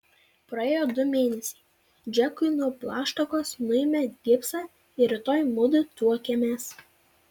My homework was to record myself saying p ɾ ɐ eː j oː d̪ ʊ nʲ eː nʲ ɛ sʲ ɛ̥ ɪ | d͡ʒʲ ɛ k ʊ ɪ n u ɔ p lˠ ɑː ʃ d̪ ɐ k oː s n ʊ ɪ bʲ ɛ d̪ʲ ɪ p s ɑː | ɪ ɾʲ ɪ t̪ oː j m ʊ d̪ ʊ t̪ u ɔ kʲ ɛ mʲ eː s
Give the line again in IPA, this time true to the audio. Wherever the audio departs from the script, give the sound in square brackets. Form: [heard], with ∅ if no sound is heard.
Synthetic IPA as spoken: p ɾ ɐ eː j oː d̪ ʊ [mʲ] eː nʲ ɛ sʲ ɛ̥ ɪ | d͡ʒʲ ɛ k ʊ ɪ n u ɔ p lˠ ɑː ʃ [t̪] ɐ k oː s n ʊ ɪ [mʲ] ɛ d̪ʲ ɪ p s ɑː | ɪ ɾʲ ɪ t̪ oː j m ʊ d̪ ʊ t̪ u ɔ kʲ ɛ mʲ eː s